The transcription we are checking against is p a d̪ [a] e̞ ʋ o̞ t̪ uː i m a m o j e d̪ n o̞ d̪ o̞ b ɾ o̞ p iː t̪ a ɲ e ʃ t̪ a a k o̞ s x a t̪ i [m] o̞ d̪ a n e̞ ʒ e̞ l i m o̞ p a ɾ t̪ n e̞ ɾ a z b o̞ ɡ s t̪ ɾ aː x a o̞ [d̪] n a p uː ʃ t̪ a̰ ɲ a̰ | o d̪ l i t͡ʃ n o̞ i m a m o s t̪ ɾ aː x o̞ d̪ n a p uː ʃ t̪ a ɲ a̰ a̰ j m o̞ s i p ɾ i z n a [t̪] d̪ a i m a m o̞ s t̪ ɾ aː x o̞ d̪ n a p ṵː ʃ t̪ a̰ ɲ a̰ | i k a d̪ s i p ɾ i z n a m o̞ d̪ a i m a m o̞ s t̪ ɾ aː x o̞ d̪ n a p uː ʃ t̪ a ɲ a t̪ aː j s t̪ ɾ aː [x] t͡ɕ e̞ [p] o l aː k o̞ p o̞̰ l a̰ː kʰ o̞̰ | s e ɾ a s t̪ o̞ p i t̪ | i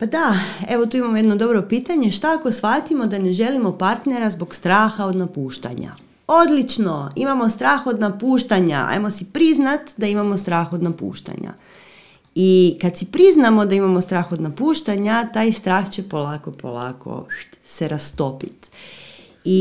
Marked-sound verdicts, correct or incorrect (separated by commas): correct, correct, correct, correct, correct, correct